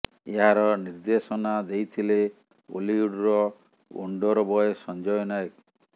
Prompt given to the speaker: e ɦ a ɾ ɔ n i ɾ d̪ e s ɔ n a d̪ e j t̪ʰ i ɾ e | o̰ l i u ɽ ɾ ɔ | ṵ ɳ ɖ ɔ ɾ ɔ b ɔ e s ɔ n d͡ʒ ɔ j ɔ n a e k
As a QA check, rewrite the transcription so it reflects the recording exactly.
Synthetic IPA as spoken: e ɦ a ɾ ɔ n i ɾ d̪ e s ɔ n a d̪ e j t̪ʰ i l e | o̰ l i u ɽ ɾ ɔ | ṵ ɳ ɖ ɔ ɾ ɔ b ɔ e s ɔ n d͡ʒ ɔ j ɔ n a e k